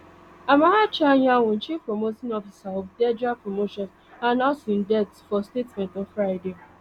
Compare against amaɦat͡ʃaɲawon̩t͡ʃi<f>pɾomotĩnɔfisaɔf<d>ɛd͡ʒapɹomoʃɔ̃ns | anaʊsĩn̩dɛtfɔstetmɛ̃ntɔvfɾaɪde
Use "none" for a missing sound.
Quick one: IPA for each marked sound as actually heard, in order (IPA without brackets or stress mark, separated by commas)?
f, d